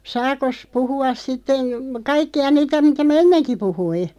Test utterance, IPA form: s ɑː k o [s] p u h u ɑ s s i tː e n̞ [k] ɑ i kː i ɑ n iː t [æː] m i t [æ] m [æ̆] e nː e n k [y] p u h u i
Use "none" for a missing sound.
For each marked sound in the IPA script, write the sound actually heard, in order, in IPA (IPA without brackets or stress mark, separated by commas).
s, k, æ, æ, æ̆, i